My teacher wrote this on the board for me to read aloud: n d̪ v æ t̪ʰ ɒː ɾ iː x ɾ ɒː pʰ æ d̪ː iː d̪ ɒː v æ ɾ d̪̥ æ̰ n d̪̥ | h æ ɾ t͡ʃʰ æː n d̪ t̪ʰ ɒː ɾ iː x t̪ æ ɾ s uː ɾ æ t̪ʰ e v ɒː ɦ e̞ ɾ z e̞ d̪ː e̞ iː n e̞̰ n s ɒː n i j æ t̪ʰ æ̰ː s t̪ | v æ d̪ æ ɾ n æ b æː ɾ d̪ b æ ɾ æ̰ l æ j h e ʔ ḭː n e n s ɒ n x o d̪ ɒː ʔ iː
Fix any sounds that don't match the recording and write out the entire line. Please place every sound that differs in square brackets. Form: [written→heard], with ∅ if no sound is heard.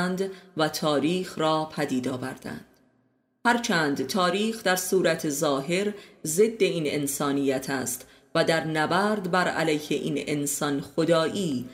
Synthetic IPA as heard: n d̪ v æ t̪ʰ ɒː ɾ iː x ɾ ɒː pʰ æ [d̪ː→d̪] iː d̪ ɒː v æ ɾ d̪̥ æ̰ n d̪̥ | h æ ɾ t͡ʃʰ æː n d̪ t̪ʰ ɒː ɾ iː x [t̪→d̪] æ ɾ s uː ɾ æ t̪ʰ e [v→z] ɒː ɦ e̞ ɾ z e̞ d̪ː e̞ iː n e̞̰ n s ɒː n i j æ t̪ʰ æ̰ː s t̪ | v æ d̪ æ ɾ n æ b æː ɾ d̪ b æ ɾ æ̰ l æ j h e ʔ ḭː n e n s ɒ n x o d̪ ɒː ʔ iː